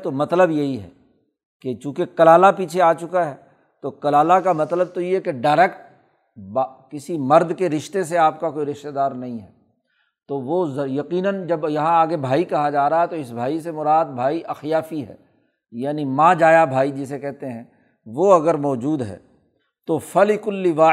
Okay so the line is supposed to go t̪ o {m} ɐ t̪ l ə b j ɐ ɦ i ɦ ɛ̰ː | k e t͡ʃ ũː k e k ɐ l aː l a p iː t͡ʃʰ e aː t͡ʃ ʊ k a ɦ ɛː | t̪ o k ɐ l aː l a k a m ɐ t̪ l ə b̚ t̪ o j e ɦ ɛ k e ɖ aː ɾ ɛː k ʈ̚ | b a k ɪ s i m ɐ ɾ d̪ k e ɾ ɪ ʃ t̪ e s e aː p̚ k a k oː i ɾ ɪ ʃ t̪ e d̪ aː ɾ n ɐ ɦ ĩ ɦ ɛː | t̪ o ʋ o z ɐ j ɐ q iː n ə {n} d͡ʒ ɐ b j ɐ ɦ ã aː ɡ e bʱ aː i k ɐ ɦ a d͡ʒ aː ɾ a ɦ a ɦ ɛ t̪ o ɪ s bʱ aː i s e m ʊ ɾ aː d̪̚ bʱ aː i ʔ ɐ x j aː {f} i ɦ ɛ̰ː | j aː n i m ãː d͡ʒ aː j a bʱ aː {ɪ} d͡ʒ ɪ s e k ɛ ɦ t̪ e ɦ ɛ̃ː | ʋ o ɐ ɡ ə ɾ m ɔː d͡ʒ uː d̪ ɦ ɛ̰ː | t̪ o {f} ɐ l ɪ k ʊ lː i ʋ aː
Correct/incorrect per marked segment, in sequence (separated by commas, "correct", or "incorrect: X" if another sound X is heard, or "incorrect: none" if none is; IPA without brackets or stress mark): correct, correct, correct, incorrect: i, correct